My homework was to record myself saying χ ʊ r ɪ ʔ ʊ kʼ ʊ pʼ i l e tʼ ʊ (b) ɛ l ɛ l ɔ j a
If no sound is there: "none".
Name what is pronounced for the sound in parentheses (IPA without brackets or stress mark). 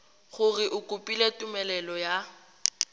m